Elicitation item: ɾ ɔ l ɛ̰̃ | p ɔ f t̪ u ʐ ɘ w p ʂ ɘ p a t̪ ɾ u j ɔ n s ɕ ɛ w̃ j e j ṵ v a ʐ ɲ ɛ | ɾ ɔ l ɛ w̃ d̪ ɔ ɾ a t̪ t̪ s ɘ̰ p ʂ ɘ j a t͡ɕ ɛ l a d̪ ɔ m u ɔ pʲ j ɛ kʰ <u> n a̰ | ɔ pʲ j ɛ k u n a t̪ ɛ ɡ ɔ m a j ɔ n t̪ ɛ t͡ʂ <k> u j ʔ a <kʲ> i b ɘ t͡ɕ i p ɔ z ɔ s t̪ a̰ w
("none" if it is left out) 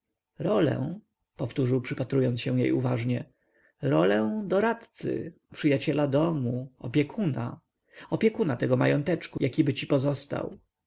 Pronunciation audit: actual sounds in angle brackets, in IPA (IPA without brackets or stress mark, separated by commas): u, k, kʲ